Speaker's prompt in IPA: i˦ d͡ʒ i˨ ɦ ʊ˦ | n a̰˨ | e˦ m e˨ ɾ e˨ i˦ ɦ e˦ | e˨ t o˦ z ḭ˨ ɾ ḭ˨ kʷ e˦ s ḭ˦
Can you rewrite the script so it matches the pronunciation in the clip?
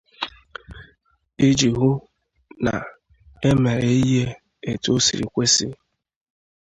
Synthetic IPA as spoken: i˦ d͡ʒ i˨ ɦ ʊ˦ | n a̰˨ | e˦ m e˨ ɾ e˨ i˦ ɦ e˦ | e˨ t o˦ s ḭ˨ ɾ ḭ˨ kʷ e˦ s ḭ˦